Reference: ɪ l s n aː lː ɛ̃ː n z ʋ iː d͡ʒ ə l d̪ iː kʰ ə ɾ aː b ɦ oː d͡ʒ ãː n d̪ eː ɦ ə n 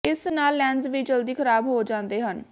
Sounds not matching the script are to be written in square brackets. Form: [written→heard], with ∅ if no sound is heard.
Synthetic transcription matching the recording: ɪ [l→∅] s n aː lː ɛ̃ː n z ʋ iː d͡ʒ ə l d̪ iː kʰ ə ɾ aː b ɦ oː d͡ʒ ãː n d̪ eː ɦ ə n